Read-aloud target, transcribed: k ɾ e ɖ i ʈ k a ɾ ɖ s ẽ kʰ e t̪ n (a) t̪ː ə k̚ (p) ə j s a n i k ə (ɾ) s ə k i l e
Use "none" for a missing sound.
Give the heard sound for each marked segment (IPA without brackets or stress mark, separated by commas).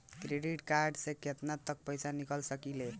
a, p, l